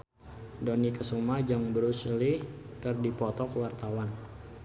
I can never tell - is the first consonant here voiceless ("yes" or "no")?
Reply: no